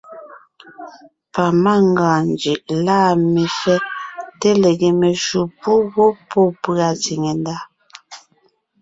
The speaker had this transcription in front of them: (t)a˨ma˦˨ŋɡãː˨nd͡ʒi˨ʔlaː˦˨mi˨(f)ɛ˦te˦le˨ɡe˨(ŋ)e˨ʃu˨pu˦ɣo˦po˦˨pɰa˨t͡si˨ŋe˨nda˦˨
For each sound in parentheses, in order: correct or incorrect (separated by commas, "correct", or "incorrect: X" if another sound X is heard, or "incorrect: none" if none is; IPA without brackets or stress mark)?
incorrect: p, correct, incorrect: m